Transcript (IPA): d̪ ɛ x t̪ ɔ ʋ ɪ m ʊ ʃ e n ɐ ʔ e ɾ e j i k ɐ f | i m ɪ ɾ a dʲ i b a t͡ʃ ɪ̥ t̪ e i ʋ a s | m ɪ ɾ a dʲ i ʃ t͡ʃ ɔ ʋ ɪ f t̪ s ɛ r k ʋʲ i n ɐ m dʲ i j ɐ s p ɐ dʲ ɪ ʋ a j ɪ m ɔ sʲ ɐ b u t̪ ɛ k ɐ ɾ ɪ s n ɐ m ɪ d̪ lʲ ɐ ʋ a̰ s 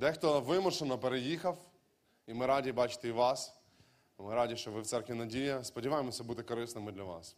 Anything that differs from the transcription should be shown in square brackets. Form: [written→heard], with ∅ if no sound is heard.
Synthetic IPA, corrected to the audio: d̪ ɛ x t̪ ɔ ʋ ɪ m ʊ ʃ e n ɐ [ʔ→p] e ɾ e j i [k→x] ɐ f | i m ɪ ɾ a dʲ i b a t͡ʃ ɪ̥ t̪ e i ʋ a s | m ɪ ɾ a dʲ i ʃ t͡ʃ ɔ ʋ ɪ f t̪ s ɛ r k ʋʲ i n ɐ [m→∅] dʲ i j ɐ s p ɐ dʲ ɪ ʋ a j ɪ m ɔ sʲ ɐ b u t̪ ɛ k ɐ ɾ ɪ s n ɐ m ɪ d̪ lʲ ɐ ʋ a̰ s